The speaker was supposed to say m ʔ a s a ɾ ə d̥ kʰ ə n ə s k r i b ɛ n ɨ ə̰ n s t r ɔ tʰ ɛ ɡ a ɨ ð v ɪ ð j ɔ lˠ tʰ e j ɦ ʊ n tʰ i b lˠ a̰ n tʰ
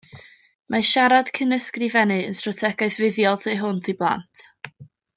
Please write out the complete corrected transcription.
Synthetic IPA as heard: m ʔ a ʃ a ɾ a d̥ kʰ ə n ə s k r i v ɛ n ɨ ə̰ n s t r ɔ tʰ ɛ ɡ a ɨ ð v ɪ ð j ɔ lˠ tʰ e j ɦ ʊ n tʰ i b lˠ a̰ n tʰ

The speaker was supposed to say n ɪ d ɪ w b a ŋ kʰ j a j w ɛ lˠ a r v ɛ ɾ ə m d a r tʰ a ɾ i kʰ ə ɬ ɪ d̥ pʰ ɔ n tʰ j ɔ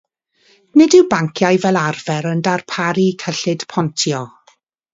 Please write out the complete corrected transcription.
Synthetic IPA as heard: n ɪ d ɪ w b a ŋ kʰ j a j v ɛ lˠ a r v ɛ ɾ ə n d a r pʰ a ɾ i kʰ ə ɬ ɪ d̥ pʰ ɔ n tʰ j ɔ

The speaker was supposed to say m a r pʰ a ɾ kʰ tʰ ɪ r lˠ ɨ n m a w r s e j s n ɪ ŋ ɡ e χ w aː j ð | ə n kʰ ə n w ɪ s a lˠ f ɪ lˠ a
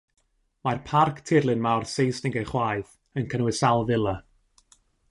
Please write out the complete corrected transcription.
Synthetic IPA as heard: m a r pʰ a r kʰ tʰ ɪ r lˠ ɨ n m a w r s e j s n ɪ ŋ ɡ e χ w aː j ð | ə n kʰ ə n w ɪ s a lˠ v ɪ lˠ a

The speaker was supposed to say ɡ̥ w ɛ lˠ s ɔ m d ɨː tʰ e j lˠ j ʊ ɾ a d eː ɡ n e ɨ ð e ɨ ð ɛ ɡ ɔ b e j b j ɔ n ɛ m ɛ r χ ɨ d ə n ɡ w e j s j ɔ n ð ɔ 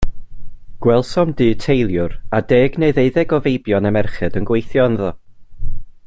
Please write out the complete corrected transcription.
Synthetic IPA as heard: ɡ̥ w ɛ lˠ s ɔ m d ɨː tʰ e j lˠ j ʊ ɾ a d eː ɡ n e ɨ ð e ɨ ð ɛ ɡ ɔ v e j b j ɔ n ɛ m ɛ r χ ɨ d ə n ɡ w e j θ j ɔ n ð ɔ

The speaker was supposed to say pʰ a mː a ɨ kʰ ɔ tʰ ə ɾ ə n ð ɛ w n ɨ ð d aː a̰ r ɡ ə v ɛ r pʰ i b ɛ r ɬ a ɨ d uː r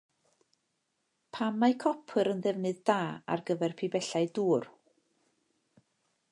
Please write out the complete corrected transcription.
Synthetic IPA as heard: pʰ a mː a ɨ kʰ ɔ pʰ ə ɾ ə n ð ɛ v n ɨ ð d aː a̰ r ɡ ə v ɛ r pʰ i b ɛ ɬ a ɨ d uː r

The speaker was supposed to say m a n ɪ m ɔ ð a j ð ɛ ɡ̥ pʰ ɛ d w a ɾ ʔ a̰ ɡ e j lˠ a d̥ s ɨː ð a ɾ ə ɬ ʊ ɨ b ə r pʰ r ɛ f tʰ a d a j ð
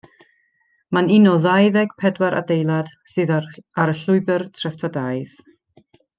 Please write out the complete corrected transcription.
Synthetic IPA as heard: m a n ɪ n ɔ ð a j ð ɛ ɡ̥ pʰ ɛ d w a ɾ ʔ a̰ d e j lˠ a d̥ s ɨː ð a ɾ ə ɬ ʊ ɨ b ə r tʰ r ɛ f tʰ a d a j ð

